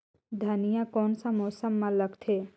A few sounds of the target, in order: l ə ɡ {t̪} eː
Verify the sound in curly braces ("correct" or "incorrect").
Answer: incorrect